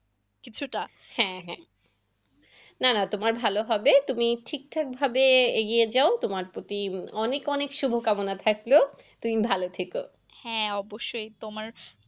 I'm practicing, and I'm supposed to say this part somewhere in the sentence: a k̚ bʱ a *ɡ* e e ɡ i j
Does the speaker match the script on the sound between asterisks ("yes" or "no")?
no